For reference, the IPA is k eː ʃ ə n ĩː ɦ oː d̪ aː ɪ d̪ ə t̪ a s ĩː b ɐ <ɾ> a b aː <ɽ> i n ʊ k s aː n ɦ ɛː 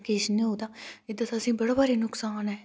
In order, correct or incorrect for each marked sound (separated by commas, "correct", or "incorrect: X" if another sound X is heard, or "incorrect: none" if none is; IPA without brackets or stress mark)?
incorrect: ɽ, incorrect: ɾ